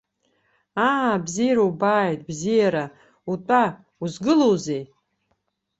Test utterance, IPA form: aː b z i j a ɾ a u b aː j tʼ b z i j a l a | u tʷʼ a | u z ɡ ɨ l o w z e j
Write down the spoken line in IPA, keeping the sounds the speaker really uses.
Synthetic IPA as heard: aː b z i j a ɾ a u b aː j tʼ b z i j a ɾ a | u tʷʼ a | u z ɡ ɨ l o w z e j